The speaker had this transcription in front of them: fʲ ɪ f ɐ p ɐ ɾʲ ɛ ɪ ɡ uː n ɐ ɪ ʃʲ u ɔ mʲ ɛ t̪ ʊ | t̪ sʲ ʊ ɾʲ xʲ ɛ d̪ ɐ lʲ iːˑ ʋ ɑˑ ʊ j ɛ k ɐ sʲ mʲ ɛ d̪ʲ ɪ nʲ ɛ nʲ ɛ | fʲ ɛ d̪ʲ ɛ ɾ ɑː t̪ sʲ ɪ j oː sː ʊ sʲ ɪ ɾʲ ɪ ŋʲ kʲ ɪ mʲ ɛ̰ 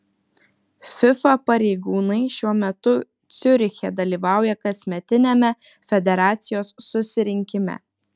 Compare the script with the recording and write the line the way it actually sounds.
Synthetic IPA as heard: fʲ ɪ f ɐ p ɐ ɾʲ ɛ ɪ ɡ uː n ɐ ɪ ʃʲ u ɔ mʲ ɛ t̪ ʊ | t̪ sʲ ʊ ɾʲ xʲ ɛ d̪ ɐ lʲ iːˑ ʋ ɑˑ ʊ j ɛ k ɐ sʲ mʲ ɛ t̪ʲ ɪ nʲ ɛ mʲ ɛ | fʲ ɛ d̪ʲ ɛ ɾ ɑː t̪ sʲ ɪ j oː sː ʊ sʲ ɪ ɾʲ ɪ ŋʲ kʲ ɪ mʲ ɛ̰